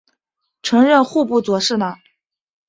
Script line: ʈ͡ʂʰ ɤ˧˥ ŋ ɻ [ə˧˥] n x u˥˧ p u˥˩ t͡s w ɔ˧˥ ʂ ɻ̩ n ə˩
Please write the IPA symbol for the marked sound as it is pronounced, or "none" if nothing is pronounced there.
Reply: ə˥˧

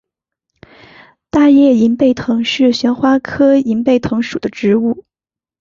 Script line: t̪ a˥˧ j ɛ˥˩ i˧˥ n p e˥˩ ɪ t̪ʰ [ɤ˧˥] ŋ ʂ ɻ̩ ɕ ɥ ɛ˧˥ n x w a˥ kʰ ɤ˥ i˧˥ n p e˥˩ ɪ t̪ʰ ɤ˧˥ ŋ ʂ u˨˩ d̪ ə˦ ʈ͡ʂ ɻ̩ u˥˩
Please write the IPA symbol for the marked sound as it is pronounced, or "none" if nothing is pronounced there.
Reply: ɤ˧˥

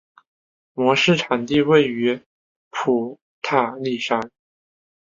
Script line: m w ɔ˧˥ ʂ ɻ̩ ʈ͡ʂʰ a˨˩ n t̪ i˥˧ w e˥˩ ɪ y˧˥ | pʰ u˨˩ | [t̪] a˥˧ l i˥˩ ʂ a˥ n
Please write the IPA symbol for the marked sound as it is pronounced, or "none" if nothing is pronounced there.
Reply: t̪ʰ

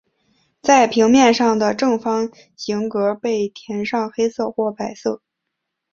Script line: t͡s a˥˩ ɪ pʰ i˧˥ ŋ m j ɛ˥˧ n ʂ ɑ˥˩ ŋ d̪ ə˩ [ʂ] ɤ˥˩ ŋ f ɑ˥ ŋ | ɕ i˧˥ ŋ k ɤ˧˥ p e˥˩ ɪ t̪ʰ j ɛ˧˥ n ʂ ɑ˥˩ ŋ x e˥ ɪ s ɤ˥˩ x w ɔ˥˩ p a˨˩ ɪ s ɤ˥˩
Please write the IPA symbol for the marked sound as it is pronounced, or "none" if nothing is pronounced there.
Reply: ʈ͡ʂ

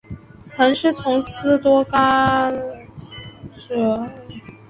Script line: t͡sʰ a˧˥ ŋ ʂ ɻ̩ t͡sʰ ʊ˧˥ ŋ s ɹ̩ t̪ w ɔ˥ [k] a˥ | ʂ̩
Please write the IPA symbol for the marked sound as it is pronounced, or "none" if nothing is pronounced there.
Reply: k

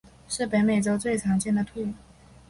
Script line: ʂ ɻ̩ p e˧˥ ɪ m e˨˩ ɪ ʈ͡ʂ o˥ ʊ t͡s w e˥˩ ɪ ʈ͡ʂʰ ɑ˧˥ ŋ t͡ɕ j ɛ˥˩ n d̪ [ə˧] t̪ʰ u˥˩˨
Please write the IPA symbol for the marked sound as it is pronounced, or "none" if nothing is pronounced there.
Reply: ə˩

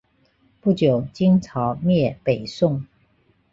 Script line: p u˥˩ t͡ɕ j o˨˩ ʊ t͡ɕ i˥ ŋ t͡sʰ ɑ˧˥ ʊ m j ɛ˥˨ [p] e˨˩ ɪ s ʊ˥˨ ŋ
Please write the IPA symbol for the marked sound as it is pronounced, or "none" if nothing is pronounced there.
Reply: p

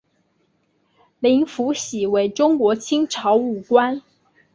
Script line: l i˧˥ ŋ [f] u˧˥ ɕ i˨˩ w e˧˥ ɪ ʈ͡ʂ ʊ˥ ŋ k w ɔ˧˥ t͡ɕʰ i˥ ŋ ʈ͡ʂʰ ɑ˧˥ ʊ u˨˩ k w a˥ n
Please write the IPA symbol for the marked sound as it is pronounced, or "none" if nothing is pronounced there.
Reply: f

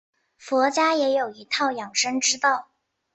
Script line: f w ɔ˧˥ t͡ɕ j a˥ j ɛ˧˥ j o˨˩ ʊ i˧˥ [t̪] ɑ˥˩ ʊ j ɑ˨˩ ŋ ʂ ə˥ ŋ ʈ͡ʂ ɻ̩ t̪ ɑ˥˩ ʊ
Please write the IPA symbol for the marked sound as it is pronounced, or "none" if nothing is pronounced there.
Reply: t̪ʰ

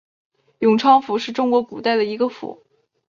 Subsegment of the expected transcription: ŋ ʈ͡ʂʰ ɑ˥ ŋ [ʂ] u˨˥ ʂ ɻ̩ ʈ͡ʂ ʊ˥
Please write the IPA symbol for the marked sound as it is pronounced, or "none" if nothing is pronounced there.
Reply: f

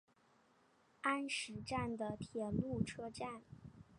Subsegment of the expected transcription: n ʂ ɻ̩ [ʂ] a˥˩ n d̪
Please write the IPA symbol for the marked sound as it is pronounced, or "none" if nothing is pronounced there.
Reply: ʈ͡ʂ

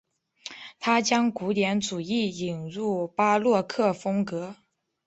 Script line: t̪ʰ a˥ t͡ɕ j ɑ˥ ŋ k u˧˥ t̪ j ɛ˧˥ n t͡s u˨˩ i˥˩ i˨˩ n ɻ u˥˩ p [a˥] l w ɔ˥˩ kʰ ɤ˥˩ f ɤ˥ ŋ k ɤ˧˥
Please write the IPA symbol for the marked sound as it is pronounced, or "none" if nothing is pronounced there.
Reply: a˥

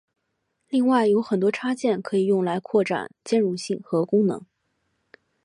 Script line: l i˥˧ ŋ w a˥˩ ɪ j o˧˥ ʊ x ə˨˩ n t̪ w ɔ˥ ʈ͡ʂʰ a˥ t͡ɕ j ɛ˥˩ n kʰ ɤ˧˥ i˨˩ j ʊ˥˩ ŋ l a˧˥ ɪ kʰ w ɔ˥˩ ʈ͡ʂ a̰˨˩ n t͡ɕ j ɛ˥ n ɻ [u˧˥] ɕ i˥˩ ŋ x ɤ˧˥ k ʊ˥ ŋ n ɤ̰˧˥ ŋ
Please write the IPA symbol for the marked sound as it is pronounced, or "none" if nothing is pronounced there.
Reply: u˥˧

